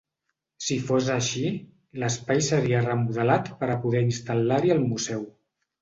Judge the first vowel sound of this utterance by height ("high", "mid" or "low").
high